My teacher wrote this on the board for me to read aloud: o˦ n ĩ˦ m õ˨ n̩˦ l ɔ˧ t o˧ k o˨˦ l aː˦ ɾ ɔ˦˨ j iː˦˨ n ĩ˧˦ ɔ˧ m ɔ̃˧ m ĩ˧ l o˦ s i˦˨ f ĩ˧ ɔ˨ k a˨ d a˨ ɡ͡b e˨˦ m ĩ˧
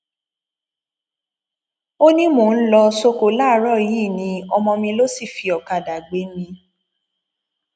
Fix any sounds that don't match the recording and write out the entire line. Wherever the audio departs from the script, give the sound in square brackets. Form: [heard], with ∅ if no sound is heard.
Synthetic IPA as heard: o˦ n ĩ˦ m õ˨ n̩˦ l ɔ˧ [s] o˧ k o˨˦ l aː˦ ɾ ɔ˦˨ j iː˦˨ n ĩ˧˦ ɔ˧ m ɔ̃˧ m ĩ˧ l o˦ s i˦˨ f [i˧] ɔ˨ k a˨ d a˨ ɡ͡b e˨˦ m ĩ˧